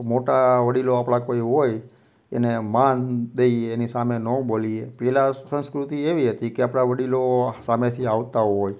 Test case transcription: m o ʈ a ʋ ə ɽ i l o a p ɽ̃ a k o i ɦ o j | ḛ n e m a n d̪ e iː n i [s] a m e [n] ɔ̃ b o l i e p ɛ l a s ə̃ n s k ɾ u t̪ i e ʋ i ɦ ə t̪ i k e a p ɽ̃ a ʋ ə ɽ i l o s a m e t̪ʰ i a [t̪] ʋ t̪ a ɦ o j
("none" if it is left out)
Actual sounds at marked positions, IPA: s, n, none

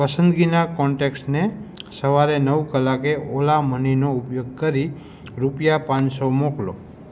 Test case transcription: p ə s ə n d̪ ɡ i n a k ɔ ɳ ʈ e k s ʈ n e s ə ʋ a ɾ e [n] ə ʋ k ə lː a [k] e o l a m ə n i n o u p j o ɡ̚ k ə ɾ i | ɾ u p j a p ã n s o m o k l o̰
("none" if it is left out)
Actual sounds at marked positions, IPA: n, k

